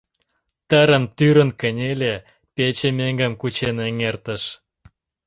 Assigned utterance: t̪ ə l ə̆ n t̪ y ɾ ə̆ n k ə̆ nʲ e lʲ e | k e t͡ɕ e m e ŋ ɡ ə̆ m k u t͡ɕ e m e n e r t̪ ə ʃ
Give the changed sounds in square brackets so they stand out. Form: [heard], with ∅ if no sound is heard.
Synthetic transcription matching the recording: t̪ ə [ɾ] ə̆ n t̪ y ɾ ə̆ n k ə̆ nʲ e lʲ e | [p] e t͡ɕ e m e ŋ ɡ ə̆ m k u t͡ɕ e [n] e [ŋ] e r t̪ ə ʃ